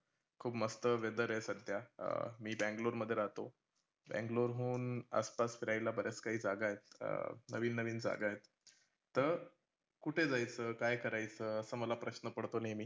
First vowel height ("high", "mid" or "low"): high